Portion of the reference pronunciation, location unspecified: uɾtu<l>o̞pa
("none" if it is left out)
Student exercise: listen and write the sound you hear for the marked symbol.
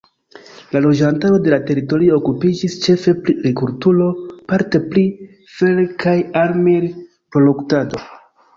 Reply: l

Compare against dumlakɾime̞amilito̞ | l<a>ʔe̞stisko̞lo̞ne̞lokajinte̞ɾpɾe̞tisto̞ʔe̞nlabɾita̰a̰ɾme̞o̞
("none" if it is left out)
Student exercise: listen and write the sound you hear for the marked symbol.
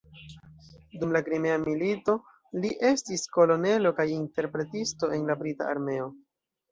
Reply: i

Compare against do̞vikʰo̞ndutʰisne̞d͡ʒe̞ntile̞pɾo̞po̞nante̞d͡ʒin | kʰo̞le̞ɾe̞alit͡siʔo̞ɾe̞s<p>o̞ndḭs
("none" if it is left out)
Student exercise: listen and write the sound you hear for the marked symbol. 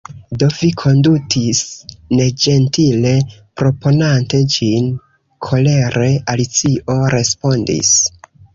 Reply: p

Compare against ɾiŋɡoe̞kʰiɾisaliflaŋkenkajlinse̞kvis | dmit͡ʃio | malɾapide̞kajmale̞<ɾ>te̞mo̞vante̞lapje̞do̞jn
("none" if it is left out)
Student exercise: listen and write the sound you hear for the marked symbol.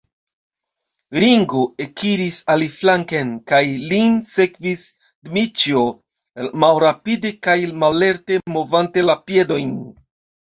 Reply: ɾ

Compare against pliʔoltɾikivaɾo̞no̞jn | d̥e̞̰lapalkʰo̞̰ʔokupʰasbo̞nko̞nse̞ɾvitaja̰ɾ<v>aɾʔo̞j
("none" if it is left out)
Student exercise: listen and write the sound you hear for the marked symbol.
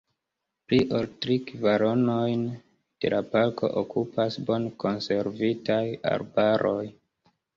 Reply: b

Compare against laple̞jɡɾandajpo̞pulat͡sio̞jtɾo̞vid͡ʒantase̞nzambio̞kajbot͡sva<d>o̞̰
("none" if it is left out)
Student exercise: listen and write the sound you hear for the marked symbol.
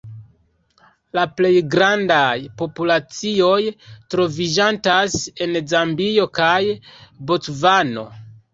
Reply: n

